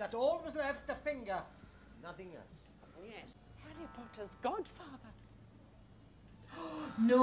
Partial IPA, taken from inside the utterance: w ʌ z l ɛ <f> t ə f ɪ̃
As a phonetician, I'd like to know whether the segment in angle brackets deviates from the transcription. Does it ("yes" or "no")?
no